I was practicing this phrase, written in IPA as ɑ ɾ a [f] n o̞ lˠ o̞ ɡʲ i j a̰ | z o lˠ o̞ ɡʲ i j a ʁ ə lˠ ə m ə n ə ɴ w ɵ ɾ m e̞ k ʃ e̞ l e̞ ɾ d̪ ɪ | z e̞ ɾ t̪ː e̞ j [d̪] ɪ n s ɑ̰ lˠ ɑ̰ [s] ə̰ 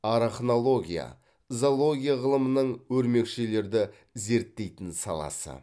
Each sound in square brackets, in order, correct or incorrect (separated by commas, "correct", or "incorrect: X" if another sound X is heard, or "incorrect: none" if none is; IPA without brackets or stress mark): incorrect: χ, incorrect: t̪, correct